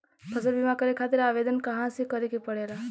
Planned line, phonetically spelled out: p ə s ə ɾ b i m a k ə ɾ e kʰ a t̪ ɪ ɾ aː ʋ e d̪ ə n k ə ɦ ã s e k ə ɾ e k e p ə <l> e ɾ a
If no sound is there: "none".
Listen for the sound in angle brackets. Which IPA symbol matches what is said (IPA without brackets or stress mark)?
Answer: ɽ